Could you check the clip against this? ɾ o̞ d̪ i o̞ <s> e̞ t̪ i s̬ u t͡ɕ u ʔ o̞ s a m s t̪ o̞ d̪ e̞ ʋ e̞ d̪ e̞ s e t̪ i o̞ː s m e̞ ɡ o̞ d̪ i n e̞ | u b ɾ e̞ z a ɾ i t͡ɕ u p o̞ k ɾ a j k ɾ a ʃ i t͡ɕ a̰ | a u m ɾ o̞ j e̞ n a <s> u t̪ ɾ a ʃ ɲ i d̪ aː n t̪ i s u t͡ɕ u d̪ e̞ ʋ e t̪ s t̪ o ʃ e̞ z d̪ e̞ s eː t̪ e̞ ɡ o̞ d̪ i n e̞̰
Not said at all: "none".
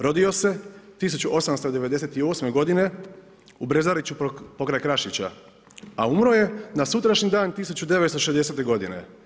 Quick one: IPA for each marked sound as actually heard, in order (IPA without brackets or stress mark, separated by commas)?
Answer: s, s